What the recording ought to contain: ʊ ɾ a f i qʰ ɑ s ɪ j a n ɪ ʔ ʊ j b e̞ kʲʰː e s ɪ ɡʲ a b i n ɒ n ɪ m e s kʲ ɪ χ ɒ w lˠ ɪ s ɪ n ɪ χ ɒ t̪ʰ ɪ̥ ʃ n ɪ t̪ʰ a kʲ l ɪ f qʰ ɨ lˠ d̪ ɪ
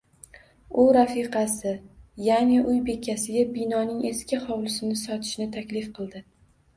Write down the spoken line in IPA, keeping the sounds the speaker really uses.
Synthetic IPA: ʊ ɾ a f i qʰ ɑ s ɪ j a n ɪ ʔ ʊ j b e̞ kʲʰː a s ɪ ɡʲ a b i n ɒ n ɪ ŋ e s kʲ ɪ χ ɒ w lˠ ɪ s ɪ n ɪ s ɒ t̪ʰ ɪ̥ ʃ n ɪ t̪ʰ a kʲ l ɪ f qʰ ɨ lˠ d̪ ɪ